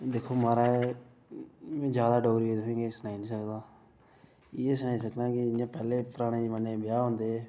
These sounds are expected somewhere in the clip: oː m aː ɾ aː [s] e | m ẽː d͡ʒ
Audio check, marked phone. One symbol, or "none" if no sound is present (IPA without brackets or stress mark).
none